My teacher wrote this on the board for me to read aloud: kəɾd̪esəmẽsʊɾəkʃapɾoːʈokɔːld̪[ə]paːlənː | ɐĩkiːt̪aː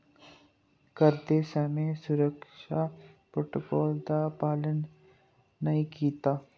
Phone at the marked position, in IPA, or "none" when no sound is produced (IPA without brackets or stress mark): a